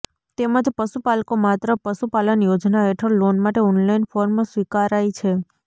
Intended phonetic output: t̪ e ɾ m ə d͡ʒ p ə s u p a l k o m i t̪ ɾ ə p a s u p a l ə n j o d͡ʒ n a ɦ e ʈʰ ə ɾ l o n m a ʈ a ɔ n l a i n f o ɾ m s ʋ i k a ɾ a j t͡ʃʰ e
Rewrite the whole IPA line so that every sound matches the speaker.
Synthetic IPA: t̪ e m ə d͡ʒ p ə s u p a l k o m a t̪ ɾ ə p ə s u p a l ə n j o d͡ʒ n a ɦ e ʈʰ ə ɾ l o n m a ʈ e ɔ n l a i n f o ɾ m s ʋ i k a ɾ a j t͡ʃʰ e